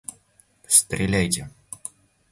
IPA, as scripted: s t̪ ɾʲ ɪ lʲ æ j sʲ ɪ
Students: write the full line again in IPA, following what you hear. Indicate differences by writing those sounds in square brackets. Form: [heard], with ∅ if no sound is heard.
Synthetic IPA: s t̪ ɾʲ ɪ lʲ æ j [tʲ] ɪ